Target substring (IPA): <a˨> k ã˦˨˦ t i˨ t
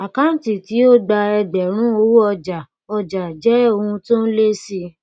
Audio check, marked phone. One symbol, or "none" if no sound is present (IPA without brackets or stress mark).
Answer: a˨